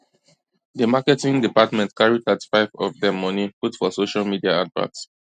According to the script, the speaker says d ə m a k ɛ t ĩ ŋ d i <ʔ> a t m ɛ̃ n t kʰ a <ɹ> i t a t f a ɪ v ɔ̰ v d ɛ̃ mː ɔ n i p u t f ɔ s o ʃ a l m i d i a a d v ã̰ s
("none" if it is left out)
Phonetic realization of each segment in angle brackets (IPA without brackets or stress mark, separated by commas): p, ɹ